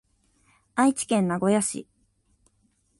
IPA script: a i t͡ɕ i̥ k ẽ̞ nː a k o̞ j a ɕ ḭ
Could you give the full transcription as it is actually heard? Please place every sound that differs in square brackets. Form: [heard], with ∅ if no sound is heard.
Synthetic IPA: a i t͡ɕ i̥ k ẽ̞ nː a [ɡ] o̞ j a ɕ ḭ